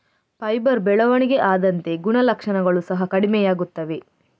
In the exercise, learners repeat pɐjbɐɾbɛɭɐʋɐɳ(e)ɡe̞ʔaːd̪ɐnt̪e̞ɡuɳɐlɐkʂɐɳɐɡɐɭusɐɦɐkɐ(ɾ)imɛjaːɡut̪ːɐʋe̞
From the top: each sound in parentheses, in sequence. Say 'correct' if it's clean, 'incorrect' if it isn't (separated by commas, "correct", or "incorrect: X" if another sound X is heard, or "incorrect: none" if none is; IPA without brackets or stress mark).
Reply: incorrect: i, incorrect: ɽ